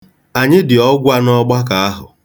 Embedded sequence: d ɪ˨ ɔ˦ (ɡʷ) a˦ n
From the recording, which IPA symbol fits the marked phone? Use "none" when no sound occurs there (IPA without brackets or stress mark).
ɡʷ